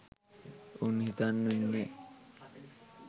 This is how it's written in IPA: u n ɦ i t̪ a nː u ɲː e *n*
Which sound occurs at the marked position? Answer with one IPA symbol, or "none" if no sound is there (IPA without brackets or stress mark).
none